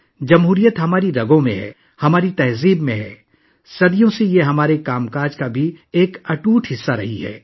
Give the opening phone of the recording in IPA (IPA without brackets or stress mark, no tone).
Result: d͡ʒ